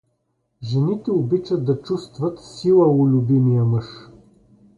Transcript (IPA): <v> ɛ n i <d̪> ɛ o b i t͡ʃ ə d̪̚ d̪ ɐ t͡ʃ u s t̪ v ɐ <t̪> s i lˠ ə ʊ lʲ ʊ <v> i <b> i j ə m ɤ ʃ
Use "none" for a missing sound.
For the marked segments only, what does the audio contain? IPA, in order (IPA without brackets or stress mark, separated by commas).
ʒ, t̪, t̪, b, m